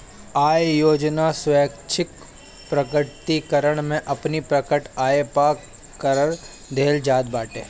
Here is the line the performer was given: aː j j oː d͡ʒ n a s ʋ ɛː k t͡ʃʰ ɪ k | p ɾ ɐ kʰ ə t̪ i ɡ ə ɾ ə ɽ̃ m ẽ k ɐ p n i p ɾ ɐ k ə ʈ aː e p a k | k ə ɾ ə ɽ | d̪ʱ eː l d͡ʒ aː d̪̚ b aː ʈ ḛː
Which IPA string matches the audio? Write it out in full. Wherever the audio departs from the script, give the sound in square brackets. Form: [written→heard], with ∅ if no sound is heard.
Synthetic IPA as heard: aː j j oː d͡ʒ n a s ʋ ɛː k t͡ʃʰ ɪ k | p ɾ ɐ [kʰ→k] ə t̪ i [ɡ→k] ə ɾ ə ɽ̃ m ẽ [k→ʔ] ɐ p n i p ɾ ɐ k ə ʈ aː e p a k | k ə ɾ ə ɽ | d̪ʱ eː l d͡ʒ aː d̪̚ b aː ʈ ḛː